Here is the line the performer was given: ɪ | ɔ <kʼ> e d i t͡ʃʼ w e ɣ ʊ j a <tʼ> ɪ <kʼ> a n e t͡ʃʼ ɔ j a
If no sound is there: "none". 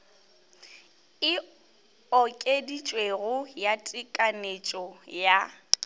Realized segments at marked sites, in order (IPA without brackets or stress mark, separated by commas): kʼ, tʼ, kʼ